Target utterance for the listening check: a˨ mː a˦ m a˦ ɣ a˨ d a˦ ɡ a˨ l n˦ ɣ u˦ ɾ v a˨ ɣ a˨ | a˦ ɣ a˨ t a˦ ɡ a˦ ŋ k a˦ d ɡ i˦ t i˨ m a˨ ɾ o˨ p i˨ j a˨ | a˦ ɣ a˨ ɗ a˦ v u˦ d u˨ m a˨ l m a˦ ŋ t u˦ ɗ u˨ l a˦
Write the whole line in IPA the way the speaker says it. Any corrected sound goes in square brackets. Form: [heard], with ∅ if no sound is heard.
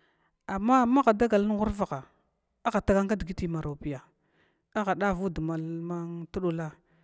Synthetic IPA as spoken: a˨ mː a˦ m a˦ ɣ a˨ d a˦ ɡ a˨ l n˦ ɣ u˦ ɾ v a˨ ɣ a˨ | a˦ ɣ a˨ t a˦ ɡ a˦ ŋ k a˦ d ɡ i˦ t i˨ m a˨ ɾ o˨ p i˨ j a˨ | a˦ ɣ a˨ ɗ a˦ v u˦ d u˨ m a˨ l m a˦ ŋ t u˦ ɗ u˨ l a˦